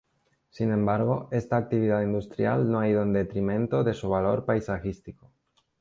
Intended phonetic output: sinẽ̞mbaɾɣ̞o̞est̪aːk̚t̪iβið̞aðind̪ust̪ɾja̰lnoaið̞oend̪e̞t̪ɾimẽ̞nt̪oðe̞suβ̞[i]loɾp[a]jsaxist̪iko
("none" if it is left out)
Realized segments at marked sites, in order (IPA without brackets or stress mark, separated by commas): a, a